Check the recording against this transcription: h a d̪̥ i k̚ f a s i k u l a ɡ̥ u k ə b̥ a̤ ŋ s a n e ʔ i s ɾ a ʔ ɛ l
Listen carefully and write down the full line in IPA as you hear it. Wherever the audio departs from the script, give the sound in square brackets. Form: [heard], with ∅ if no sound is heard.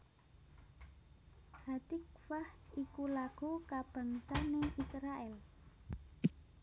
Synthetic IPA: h a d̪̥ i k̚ f a [h] i k u l a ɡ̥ u k [a] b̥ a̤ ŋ s a n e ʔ i s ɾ a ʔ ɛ l